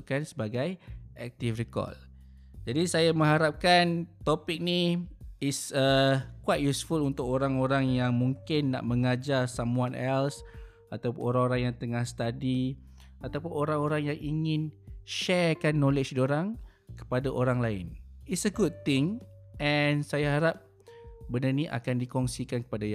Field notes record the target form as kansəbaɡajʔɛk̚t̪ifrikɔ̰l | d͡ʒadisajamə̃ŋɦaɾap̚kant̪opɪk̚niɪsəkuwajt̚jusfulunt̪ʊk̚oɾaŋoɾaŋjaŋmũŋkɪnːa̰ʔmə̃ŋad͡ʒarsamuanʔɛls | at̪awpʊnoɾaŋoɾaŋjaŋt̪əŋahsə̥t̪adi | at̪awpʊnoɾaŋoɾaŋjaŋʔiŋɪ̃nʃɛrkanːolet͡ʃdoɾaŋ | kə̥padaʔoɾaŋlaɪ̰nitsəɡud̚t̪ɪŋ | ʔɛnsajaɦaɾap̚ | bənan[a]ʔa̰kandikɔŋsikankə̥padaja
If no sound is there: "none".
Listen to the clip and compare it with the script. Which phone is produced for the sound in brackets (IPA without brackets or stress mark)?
i